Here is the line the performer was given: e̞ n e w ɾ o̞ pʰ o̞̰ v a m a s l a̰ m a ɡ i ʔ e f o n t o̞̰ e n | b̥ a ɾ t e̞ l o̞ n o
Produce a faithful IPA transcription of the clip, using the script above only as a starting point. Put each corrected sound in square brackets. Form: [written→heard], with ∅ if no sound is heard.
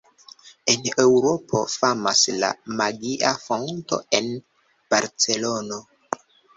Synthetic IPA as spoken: e̞ n e w ɾ o̞ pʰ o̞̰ [v→f] a m a s l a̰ m a ɡ i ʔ [e→a] f o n t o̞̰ e n | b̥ a ɾ [t→t͡s] e̞ l o̞ n o